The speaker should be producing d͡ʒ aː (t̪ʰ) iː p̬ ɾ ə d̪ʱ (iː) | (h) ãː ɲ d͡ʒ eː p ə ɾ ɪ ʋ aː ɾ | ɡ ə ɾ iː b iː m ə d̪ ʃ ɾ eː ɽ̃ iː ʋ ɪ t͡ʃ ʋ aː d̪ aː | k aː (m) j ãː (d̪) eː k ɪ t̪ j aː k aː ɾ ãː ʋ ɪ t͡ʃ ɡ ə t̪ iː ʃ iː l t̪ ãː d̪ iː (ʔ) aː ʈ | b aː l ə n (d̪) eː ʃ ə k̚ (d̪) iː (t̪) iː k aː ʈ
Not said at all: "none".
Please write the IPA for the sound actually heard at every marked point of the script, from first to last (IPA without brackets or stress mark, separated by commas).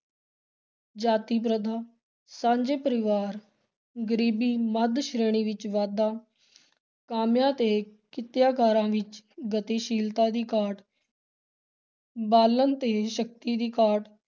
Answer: t̪, aː, s, m, t̪, k, t̪, t̪, d̪